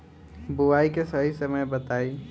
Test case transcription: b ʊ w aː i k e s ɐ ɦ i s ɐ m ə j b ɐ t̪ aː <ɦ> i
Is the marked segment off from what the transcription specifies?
yes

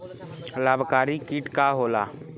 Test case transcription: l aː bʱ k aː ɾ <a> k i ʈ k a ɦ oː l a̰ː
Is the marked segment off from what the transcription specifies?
yes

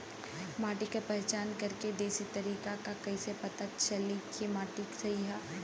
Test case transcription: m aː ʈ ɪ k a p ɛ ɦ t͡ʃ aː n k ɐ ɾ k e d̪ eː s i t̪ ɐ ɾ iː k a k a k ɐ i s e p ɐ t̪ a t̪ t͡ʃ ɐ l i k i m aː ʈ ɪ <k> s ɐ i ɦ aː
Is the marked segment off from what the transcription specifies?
no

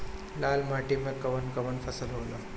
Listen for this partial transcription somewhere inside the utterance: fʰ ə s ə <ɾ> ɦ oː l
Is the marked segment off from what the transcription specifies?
yes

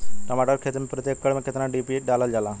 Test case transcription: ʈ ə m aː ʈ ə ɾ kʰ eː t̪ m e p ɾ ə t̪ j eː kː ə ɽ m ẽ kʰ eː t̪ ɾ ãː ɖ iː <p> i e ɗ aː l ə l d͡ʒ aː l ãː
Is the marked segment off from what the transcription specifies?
no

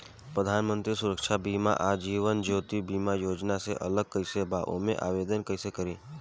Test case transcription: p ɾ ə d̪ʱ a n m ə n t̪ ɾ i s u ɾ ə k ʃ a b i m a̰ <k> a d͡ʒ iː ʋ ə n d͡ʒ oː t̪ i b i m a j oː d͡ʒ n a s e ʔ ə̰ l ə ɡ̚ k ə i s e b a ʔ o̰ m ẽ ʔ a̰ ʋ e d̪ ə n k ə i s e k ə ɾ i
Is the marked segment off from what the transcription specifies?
yes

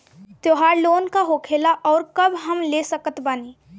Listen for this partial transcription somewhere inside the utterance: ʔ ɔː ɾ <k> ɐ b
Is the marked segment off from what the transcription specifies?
no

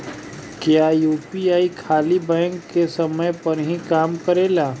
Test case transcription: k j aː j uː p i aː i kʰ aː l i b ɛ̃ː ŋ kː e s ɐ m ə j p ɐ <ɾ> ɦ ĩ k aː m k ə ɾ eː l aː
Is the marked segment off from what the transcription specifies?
no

